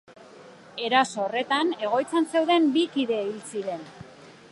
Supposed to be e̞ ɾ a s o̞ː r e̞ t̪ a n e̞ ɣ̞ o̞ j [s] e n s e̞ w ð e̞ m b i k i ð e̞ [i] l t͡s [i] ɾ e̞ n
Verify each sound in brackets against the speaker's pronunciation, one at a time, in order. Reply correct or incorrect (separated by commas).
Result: incorrect, correct, correct